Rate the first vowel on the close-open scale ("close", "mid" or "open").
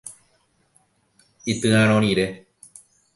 close